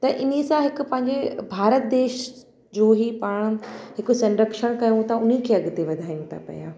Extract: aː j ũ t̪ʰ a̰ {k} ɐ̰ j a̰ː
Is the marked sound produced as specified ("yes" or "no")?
no